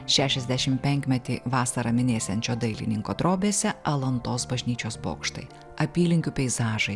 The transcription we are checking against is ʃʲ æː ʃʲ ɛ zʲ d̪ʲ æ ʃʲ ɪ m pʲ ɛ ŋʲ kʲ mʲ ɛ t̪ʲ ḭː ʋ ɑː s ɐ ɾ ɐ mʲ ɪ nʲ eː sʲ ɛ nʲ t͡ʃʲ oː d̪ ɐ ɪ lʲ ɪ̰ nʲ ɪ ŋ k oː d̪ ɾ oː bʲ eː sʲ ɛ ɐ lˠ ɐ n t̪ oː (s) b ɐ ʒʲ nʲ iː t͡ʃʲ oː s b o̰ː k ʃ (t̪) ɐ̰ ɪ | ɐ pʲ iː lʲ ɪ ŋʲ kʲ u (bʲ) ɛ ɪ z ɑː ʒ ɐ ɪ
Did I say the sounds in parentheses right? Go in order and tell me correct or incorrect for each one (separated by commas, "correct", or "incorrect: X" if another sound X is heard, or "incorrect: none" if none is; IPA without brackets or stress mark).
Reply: correct, correct, incorrect: pʲ